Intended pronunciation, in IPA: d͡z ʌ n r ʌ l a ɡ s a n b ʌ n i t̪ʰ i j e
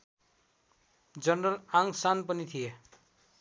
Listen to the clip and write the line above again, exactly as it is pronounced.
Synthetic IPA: d͡z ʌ n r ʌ l a ŋ s a n p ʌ n i t̪ʰ i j e